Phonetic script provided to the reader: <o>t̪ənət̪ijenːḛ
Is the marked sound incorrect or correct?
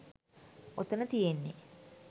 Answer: correct